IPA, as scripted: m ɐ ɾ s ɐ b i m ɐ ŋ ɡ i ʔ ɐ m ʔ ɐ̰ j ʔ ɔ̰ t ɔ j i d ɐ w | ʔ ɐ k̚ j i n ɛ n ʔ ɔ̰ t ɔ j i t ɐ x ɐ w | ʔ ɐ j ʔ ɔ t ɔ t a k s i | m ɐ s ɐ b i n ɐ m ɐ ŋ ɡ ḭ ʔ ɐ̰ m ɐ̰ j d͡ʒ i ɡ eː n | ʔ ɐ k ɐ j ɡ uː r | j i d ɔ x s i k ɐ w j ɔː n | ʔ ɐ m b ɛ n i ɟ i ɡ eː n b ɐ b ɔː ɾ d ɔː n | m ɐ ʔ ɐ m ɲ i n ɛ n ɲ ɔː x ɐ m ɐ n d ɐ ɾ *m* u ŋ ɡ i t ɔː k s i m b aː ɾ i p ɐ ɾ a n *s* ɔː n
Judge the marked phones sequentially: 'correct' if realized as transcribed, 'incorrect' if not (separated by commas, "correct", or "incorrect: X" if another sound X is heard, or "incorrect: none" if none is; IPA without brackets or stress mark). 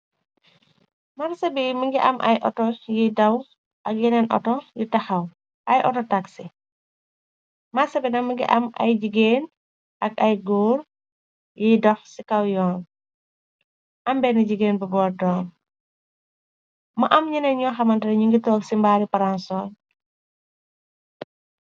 incorrect: ɲ, correct